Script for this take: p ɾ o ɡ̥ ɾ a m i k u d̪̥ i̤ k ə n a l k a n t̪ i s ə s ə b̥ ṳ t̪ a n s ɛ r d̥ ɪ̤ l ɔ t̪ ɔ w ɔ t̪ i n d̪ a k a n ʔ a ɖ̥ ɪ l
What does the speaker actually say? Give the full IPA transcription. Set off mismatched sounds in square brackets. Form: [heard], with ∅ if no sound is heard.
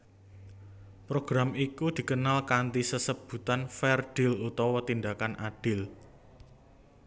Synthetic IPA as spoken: p ɾ o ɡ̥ ɾ a m i k u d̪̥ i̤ k ə n a l k a n t̪ i s ə s ə b̥ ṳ t̪ a n [f] ɛ r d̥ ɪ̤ l [u] t̪ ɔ w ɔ t̪ i n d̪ a k a n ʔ a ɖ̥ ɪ l